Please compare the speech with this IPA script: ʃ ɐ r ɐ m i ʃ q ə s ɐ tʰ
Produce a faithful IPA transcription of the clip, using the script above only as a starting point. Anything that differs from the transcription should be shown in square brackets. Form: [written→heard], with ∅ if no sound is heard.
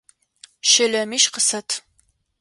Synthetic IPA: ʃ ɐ [r→l] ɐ m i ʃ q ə s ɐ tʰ